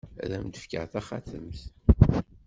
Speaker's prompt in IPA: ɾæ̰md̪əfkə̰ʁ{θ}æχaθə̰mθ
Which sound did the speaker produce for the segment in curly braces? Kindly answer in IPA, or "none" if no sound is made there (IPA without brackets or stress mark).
θ